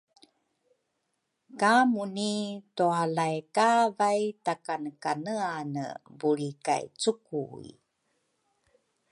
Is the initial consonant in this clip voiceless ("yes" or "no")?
yes